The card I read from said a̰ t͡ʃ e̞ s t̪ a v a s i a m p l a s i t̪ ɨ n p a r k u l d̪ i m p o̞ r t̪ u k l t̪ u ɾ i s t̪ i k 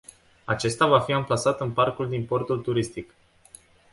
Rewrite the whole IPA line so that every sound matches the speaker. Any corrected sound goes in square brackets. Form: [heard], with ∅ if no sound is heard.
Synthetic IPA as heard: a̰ t͡ʃ e̞ s t̪ a v a [f] i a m p l a s [a] t̪ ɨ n p a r k u l d̪ i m p o̞ r t̪ u [∅] l t̪ u ɾ i s t̪ i k